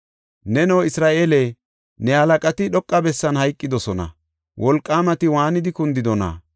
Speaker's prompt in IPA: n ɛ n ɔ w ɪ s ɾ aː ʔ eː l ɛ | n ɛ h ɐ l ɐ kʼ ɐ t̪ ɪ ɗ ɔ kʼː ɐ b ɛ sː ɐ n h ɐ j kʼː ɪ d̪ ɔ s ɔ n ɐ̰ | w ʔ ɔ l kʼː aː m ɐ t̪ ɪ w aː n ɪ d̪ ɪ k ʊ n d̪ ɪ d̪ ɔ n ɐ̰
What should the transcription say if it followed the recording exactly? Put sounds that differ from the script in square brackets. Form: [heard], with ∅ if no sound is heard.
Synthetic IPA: n ɛ n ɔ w ɪ s ɾ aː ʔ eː l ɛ | n ɛ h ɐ l ɐ kʼ ɐ t̪ ɪ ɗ ɔ kʼː ɐ b ɛ sː ɐ n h ɐ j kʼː ɪ d̪ ɔ s ɔ n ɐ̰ | w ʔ ɔ l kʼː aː m ɐ t̪ ɪ w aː n ɪ d̪ ɪ k ʊ n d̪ ɪ d̪ ɔ n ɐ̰

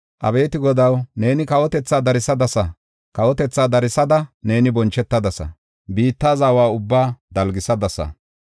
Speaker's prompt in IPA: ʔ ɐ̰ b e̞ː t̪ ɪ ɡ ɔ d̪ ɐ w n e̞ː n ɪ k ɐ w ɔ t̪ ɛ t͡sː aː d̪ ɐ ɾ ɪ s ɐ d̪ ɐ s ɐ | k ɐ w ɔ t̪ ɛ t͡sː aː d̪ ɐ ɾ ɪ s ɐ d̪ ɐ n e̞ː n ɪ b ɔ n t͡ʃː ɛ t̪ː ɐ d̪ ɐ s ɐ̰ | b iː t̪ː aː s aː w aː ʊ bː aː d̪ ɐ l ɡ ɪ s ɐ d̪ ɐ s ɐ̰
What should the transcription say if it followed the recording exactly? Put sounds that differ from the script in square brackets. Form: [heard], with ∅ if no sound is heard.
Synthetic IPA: ʔ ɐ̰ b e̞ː t̪ ɪ ɡ ɔ d̪ ɐ w n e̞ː n ɪ k ɐ w ɔ t̪ ɛ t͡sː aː d̪ ɐ ɾ ɪ s ɐ d̪ ɐ s ɐ | k ɐ w ɔ t̪ ɛ t͡sː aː d̪ ɐ ɾ ɪ s ɐ d̪ ɐ n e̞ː n ɪ b ɔ n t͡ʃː ɛ t̪ː ɐ d̪ ɐ s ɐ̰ | b iː t̪ː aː [z] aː w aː ʊ bː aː d̪ ɐ l ɡ ɪ s ɐ d̪ ɐ s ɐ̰

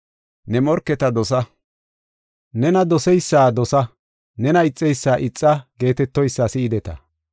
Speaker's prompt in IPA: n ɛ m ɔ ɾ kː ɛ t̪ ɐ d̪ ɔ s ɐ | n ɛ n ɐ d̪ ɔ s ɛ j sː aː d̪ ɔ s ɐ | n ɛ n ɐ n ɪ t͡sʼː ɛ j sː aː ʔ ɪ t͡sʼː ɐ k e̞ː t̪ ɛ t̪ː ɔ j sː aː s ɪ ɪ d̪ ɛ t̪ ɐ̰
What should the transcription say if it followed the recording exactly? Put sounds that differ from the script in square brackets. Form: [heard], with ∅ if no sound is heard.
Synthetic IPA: n ɛ m ɔ ɾ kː ɛ t̪ ɐ d̪ ɔ s ɐ | n ɛ n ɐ d̪ ɔ s ɛ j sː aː d̪ ɔ s ɐ | n ɛ n ɐ [∅] ɪ t͡sʼː ɛ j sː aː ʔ ɪ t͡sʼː ɐ [ɡ] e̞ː t̪ ɛ t̪ː ɔ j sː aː s ɪ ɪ d̪ ɛ t̪ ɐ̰

